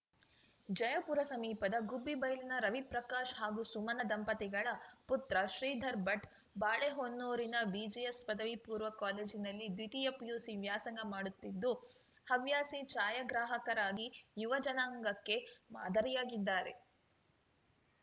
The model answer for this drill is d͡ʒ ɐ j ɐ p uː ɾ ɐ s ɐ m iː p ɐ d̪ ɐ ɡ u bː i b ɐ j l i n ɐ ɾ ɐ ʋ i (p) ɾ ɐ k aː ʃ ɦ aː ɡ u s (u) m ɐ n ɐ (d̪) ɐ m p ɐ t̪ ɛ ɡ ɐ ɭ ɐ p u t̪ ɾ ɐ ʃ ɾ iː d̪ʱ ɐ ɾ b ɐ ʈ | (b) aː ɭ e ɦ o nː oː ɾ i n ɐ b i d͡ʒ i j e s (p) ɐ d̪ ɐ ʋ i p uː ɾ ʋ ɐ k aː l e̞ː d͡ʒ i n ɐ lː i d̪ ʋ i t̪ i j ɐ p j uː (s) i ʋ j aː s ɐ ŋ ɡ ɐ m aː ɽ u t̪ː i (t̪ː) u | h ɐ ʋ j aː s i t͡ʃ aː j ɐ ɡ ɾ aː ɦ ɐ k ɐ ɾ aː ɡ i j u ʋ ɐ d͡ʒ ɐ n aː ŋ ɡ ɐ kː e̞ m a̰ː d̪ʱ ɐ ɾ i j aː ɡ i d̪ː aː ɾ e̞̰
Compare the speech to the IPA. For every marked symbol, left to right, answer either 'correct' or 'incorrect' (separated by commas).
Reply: correct, correct, correct, correct, correct, correct, incorrect